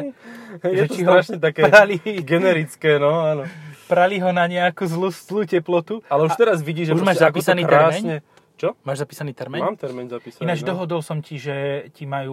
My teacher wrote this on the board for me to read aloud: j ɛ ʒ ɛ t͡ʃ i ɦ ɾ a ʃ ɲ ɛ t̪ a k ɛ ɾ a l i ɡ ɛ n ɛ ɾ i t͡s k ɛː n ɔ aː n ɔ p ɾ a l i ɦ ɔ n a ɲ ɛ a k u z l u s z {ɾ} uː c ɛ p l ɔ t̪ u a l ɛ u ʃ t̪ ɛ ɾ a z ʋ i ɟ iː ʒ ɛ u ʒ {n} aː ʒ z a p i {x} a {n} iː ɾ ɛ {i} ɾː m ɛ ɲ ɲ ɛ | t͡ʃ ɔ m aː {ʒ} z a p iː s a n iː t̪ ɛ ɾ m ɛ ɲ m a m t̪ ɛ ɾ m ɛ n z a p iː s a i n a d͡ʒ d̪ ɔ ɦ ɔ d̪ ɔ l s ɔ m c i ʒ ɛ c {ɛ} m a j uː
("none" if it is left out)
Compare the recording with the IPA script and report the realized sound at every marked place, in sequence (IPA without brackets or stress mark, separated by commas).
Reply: l, m, s, n, a, ʒ, i